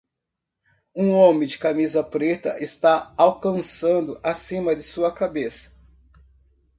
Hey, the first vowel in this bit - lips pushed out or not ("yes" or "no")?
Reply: yes